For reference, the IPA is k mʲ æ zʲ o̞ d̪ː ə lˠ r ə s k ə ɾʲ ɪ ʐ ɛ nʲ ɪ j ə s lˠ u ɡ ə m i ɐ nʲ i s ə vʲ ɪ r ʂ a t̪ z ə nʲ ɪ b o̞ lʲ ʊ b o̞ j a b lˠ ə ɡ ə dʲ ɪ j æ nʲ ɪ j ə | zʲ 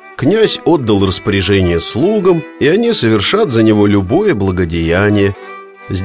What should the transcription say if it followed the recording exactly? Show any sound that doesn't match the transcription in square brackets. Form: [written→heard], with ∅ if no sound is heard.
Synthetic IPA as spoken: k [mʲ→nʲ] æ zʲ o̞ d̪ː ə lˠ r ə s [k→p] ə ɾʲ ɪ ʐ ɛ nʲ ɪ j ə s lˠ u ɡ ə m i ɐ nʲ i s ə vʲ ɪ r ʂ a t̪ z ə nʲ ɪ [b→v] o̞ lʲ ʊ b o̞ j [a→ə] b lˠ ə ɡ ə dʲ ɪ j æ nʲ ɪ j ə | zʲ